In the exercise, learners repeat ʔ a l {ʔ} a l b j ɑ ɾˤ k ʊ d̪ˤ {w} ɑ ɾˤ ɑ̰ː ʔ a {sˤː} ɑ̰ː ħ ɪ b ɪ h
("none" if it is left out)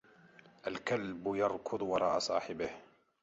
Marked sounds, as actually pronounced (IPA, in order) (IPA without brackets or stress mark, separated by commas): k, w, sˤ